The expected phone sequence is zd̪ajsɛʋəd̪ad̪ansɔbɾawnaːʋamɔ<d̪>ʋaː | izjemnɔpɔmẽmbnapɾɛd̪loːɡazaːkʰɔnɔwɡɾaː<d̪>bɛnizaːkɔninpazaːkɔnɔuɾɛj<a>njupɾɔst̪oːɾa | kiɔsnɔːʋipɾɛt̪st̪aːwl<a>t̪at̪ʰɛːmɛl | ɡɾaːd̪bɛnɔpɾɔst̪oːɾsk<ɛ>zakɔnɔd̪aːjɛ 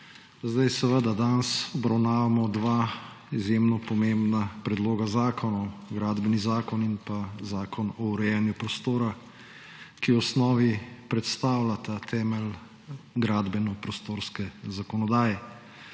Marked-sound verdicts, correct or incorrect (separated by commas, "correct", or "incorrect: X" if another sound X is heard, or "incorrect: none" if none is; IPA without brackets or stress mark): correct, correct, incorrect: ɛ, correct, correct